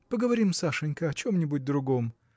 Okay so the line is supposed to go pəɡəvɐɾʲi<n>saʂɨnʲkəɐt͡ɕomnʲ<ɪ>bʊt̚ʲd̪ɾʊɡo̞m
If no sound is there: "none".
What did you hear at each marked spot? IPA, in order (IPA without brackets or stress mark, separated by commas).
m, ɪ